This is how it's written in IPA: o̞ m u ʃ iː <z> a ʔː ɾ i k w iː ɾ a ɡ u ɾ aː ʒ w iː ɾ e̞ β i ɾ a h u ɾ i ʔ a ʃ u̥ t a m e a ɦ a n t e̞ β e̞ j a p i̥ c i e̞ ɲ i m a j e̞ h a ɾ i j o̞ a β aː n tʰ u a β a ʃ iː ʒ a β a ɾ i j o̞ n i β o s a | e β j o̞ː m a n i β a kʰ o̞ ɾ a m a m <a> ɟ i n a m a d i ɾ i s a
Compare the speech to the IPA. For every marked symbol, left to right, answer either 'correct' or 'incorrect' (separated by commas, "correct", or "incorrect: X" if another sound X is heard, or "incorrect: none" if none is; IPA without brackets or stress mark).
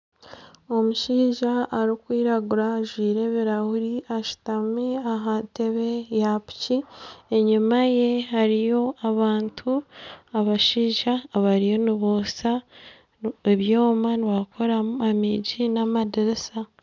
incorrect: ʒ, incorrect: i